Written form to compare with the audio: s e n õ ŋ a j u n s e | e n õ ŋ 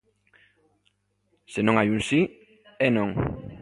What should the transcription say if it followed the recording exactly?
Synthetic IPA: s e n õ ŋ a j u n s i | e n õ ŋ